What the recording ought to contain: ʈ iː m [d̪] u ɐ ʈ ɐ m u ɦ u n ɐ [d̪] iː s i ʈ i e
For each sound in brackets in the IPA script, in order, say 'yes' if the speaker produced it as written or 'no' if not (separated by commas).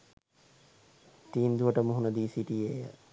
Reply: yes, yes